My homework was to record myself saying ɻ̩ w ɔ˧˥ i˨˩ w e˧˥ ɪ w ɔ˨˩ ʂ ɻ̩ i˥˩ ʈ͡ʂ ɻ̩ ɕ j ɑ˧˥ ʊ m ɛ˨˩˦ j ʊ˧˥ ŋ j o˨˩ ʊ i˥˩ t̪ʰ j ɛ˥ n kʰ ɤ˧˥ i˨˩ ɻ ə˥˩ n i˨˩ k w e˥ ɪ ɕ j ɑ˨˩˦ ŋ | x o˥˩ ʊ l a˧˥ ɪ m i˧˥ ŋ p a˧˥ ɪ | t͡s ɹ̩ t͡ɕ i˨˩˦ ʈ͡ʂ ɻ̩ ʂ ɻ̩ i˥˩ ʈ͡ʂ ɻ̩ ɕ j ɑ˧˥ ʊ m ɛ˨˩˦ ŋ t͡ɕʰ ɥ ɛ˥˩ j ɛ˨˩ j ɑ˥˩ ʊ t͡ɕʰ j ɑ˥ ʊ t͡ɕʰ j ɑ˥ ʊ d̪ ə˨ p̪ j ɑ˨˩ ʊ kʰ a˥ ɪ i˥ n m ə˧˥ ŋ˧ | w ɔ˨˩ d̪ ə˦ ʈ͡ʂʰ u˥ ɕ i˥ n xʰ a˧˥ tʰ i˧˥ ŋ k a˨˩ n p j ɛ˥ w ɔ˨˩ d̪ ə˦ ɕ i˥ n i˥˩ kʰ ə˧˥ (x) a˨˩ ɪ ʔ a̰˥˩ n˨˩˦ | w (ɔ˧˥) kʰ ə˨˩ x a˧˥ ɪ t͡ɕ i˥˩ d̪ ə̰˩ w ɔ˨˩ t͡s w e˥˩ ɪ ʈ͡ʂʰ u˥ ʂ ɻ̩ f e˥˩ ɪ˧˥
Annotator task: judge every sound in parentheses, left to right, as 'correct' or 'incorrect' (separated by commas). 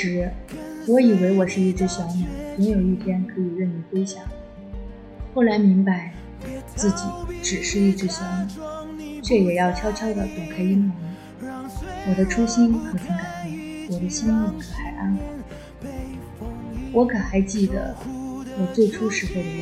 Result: correct, correct